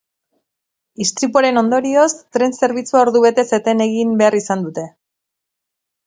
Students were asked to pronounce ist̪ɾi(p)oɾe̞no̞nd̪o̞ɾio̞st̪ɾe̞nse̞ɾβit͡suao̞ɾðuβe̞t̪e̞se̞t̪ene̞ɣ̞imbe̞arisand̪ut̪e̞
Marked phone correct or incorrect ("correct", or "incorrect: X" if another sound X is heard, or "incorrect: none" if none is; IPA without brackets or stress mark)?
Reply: correct